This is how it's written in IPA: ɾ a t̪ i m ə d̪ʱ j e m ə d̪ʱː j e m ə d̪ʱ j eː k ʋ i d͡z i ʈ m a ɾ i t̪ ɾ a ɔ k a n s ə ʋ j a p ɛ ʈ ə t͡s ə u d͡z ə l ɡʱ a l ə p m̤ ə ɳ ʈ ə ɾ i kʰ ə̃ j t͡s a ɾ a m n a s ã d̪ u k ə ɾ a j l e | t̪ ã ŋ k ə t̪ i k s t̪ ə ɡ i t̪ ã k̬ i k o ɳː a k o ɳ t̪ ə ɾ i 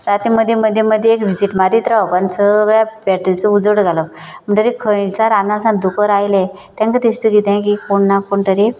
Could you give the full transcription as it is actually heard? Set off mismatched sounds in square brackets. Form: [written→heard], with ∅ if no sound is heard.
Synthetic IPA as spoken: ɾ a t̪ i m ə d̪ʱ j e m ə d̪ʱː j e m ə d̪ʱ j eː k ʋ i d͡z i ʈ m a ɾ i t̪ ɾ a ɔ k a n s ə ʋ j a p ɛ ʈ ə t͡s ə u d͡z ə [l→ɽ] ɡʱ a l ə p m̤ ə ɳ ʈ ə ɾ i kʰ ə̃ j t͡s a ɾ a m n a s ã d̪ u k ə ɾ a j l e | t̪ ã ŋ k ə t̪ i [k→∅] s t̪ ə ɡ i t̪ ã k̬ i k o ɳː a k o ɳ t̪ ə ɾ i